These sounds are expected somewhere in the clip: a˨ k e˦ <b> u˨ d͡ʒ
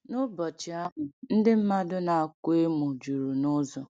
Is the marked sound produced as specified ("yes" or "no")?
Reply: no